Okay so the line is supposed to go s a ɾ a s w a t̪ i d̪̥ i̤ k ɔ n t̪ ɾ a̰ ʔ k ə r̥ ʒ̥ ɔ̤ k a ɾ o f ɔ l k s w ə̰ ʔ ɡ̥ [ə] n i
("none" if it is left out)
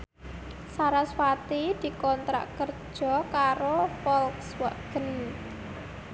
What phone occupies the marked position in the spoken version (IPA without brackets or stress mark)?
ə